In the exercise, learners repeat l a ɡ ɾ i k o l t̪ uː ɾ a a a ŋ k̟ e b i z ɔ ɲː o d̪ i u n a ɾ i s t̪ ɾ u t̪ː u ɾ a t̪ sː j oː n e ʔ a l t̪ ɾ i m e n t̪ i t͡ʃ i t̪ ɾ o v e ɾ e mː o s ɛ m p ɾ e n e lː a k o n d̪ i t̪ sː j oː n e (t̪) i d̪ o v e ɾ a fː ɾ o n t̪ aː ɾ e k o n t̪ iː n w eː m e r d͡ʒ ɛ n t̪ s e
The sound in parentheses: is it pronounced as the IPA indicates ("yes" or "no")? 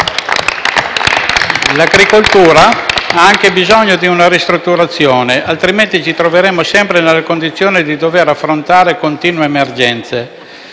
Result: no